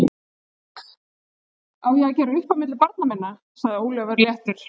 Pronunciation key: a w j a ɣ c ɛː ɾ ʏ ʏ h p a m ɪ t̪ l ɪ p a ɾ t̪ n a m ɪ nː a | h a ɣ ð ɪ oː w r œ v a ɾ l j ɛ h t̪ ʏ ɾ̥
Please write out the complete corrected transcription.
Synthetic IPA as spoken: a w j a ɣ c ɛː ɾ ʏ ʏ h p a m ɪ t̪ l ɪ p a ɾ t̪ n a m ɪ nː a | s a ɣ ð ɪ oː w l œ v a ɾ l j ɛ h t̪ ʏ ɾ̥

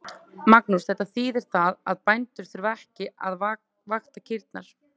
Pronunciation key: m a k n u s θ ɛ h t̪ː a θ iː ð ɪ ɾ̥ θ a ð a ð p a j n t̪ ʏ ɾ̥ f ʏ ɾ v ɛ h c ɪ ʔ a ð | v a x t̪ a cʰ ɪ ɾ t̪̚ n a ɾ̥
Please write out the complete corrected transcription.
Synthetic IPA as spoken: m a k n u s θ ɛ h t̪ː a θ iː ð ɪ ɾ̥ θ a ð a ð p a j n t̪ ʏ ɾ̥ θ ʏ ɾ v ɛ h c ɪ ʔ a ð | v a x t̪ a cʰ ɪ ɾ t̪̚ n a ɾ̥

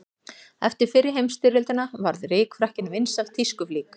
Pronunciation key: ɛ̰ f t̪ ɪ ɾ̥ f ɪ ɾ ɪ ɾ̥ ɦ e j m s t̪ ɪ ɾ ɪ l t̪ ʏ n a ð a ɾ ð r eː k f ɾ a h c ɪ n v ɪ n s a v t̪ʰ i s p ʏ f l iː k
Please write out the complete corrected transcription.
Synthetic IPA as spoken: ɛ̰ f t̪ ɪ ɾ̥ f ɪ ɾ ɪ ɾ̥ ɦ e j m s t̪ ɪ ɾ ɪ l t̪ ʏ n a v a ɾ ð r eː k f ɾ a h c ɪ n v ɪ n s a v t̪ʰ i s k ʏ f l iː k

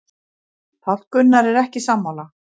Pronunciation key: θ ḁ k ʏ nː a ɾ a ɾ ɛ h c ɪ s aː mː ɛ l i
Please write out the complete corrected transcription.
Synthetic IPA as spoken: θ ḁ k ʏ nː a ɾ ɛ ɾ ɛ h c ɪ s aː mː a l a

